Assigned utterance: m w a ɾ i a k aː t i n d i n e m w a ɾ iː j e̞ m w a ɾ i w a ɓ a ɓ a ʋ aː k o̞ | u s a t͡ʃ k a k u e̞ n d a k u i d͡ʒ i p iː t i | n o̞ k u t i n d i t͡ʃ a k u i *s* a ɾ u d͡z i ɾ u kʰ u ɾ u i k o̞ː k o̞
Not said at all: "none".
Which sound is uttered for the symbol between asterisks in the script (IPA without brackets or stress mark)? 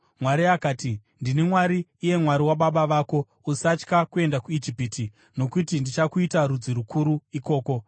t